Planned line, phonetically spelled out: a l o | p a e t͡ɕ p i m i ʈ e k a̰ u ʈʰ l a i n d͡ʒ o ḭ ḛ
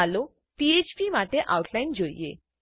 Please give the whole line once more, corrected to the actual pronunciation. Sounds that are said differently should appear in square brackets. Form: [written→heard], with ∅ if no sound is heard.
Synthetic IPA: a l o | p [a→i] e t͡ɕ p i m [i→a] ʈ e [k→ʔ] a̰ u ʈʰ l a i n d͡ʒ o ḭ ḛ